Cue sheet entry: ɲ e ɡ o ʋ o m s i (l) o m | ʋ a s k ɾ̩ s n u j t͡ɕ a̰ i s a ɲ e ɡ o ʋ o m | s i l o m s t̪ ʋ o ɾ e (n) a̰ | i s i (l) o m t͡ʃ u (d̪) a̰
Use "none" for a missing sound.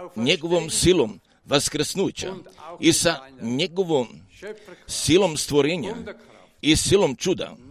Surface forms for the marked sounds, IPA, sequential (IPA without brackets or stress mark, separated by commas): l, ɲ, l, d̪